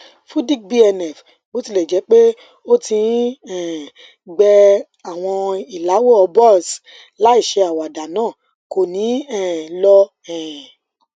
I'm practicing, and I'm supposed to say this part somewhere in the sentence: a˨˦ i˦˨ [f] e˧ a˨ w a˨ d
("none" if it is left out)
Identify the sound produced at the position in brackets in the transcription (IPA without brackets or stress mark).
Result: ʃ